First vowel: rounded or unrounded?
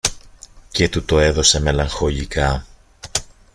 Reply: unrounded